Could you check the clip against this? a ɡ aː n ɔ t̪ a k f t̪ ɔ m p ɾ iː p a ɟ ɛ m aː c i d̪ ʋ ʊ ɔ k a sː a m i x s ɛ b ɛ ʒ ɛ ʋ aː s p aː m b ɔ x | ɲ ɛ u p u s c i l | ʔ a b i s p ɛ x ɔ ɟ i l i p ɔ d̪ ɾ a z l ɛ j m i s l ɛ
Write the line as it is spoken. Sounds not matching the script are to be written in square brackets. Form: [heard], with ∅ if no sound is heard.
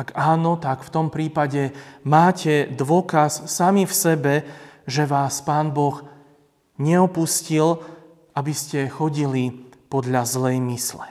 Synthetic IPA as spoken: a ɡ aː n ɔ t̪ a k f t̪ ɔ m p ɾ iː p a ɟ ɛ m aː c [ɛ] d̪ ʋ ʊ ɔ k a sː a m i [f] s ɛ b ɛ ʒ ɛ ʋ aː s p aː [n] b ɔ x | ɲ ɛ [ɔ] p u s c i l | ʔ a b i s [c] ɛ x ɔ ɟ i l i p ɔ d̪ [ʎ] a z l ɛ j m i s l ɛ